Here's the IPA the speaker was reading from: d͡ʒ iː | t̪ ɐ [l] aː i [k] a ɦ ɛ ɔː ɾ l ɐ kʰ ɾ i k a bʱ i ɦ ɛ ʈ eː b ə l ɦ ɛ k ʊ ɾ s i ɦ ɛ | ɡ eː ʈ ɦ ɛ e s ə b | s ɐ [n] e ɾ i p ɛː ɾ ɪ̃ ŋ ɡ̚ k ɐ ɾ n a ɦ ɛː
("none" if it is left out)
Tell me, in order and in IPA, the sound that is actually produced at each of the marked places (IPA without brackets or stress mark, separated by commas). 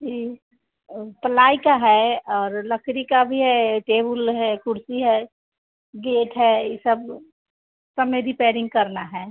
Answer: l, k, m